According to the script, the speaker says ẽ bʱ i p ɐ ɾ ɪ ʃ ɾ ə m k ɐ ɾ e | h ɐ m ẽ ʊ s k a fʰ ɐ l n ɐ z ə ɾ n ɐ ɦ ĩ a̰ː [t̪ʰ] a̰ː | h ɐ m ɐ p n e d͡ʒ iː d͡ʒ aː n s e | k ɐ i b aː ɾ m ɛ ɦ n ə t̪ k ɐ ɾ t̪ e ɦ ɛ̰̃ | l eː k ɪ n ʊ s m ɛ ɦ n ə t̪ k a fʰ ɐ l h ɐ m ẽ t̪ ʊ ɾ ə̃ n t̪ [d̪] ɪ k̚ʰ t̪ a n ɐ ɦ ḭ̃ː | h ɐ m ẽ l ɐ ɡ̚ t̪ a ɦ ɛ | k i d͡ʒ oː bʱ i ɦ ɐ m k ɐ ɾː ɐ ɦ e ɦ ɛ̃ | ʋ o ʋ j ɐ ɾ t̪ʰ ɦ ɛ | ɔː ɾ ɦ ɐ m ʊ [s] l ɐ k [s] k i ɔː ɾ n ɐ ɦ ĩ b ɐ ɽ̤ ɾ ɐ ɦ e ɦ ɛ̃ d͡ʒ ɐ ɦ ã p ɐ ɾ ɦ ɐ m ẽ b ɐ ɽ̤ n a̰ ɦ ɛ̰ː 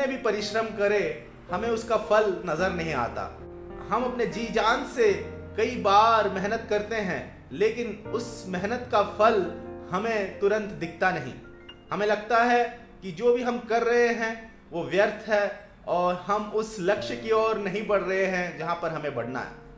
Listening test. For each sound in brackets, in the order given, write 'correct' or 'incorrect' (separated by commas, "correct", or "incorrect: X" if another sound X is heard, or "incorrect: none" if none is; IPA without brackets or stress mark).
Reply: incorrect: t̪, correct, correct, incorrect: ʃ